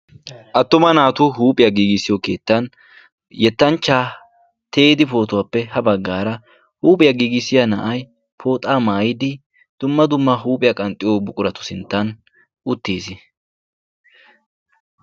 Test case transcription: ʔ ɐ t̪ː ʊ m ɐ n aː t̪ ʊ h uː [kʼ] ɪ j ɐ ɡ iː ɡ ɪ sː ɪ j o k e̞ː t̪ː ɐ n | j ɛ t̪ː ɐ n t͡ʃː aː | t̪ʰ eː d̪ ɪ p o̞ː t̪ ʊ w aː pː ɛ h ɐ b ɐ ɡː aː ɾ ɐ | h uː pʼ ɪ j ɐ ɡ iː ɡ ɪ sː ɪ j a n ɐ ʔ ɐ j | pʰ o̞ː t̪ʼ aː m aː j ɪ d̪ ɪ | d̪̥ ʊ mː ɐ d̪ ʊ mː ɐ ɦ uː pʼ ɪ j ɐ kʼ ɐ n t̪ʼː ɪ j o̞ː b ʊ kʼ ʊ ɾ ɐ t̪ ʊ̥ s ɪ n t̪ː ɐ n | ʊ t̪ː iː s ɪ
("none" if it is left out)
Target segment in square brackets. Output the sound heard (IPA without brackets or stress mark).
pʼ